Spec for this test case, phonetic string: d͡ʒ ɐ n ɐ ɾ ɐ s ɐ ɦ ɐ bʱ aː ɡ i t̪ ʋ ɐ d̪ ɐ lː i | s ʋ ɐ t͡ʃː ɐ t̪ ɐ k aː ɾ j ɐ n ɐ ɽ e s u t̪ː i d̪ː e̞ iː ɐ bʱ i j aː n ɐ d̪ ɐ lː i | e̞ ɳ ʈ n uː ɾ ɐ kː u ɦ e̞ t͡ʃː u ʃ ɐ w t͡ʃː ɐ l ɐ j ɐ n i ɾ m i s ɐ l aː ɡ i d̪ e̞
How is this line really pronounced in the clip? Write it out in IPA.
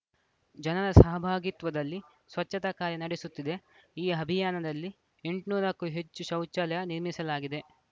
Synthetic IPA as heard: d͡ʒ ɐ n ɐ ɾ ɐ s ɐ ɦ ɐ bʱ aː ɡ i t̪ ʋ ɐ d̪ ɐ lː i | s ʋ ɐ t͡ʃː ɐ t̪ ɐ k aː ɾ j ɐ n ɐ ɽ e s u t̪ː i d̪ e̞ iː ɐ bʱ i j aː n ɐ d̪ ɐ lː i | e̞ ɳ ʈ n uː ɾ ɐ kː u ɦ e̞ t͡ʃː u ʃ ɐ w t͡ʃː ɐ l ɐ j ɐ n i ɾ m i s ɐ l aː ɡ i d̪ e̞